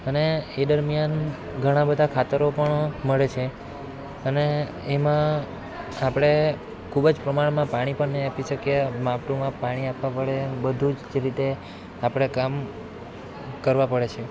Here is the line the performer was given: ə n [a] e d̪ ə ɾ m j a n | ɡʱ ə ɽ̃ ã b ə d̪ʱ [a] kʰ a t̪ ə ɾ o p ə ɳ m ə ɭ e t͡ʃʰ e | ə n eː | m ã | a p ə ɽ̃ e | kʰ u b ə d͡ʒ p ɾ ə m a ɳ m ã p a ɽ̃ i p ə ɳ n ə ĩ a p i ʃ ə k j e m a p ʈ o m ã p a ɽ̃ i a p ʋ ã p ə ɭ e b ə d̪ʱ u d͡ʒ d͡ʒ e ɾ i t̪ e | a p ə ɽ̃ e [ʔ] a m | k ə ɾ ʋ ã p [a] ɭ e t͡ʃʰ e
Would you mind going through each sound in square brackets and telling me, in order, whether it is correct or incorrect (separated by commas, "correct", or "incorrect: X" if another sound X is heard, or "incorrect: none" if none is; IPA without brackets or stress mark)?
incorrect: e, correct, incorrect: k, incorrect: ə